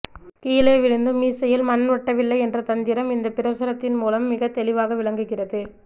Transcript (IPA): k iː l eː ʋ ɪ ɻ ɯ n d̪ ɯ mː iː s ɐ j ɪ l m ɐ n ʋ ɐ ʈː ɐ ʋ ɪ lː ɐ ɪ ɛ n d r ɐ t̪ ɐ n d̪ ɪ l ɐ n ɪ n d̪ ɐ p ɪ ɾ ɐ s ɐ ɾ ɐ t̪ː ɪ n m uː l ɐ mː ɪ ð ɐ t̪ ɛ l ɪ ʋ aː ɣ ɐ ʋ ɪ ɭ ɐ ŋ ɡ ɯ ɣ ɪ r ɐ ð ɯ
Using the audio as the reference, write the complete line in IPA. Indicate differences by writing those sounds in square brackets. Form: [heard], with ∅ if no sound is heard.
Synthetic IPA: k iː l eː ʋ ɪ ɻ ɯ n d̪ ɯ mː iː s ɐ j ɪ l m ɐ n ʋ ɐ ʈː ɐ ʋ ɪ lː ɐ ɪ ɛ n d r ɐ t̪ ɐ n d̪ ɪ [ɾ] ɐ [m] ɪ n d̪ ɐ p ɪ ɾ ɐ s ɐ ɾ ɐ t̪ː ɪ n m uː l ɐ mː ɪ [ɣ] ɐ t̪ ɛ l ɪ ʋ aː ɣ ɐ ʋ ɪ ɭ ɐ ŋ ɡ ɯ ɣ ɪ r ɐ ð ɯ